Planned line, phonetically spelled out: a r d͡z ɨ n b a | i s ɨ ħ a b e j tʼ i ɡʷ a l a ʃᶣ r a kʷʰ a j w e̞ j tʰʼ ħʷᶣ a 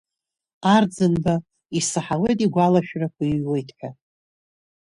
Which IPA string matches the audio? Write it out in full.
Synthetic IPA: a r d͡z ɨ n b a | i s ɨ ħ a w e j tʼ i ɡʷ a l a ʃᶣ r a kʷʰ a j w e̞ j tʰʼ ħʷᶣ a